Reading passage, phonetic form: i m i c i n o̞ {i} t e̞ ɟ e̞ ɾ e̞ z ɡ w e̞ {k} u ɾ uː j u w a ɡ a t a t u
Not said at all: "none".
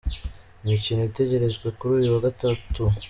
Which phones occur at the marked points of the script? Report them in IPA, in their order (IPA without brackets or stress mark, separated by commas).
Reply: i, k